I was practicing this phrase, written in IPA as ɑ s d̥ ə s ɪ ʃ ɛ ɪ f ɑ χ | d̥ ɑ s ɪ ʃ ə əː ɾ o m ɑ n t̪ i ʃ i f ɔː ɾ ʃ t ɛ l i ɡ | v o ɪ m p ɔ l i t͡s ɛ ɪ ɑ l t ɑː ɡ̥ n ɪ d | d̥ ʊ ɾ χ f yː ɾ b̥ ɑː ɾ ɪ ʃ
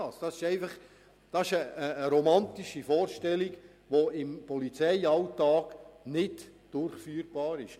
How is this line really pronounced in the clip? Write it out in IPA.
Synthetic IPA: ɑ s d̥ ɑ s ɪ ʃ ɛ ɪ f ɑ χ | d̥ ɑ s ɪ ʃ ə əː ɾ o m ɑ n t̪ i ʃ i f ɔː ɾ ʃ t ɛ l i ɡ | ʋ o ɪ m p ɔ l i t͡s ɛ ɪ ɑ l t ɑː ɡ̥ n ɪ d | d̥ ʊ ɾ χ f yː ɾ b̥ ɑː ɾ ɪ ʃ